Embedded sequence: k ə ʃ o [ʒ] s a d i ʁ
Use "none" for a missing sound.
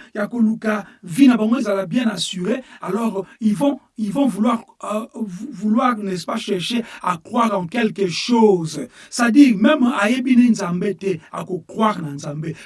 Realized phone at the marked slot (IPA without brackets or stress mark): z